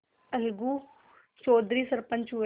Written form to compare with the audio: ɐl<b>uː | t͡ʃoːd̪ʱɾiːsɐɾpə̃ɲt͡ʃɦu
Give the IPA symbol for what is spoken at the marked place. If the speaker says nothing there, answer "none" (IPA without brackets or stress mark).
ɡ